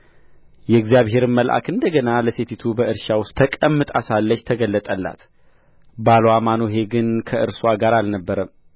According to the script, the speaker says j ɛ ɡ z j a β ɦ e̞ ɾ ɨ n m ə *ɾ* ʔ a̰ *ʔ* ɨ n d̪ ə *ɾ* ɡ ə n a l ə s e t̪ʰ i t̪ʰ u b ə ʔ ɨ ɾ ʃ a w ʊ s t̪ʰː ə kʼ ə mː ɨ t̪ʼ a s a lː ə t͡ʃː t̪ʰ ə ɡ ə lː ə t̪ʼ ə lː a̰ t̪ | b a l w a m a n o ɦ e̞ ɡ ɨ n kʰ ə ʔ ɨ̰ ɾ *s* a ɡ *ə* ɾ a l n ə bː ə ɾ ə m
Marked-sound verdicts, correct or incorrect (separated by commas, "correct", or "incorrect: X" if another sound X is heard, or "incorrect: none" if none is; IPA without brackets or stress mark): incorrect: l, incorrect: k, incorrect: none, correct, incorrect: a